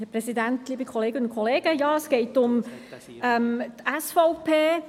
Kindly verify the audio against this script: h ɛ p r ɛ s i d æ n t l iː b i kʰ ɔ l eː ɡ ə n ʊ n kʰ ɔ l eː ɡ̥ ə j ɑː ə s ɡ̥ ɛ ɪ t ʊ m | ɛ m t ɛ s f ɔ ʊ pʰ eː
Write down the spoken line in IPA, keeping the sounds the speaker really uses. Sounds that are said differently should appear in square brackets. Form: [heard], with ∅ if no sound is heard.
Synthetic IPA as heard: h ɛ p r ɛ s i d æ n t l iː b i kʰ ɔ l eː ɡ ə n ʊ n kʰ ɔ l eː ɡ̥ ə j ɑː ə s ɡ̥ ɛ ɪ t ʊ m | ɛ m t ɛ s f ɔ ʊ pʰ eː